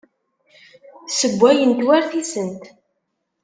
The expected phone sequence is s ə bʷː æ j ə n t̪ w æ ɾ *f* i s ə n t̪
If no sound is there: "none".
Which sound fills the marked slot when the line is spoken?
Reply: θ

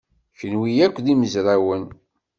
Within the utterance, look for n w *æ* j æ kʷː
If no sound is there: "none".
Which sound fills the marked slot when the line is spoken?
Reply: i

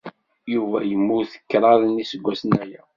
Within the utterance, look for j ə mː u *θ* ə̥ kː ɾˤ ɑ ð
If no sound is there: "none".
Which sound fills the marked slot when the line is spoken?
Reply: θ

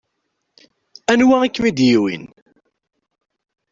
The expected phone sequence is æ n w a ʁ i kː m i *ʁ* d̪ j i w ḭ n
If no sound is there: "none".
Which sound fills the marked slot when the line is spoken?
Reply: none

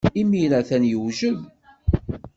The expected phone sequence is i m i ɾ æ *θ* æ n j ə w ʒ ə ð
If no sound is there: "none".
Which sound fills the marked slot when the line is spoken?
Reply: θ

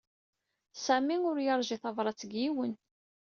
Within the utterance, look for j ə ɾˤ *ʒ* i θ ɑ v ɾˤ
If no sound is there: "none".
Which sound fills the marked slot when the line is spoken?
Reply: ʒ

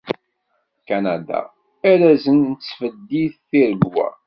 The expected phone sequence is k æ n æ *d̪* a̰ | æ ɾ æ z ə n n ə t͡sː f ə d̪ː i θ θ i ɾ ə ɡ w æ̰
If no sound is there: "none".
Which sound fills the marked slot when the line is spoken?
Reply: d̪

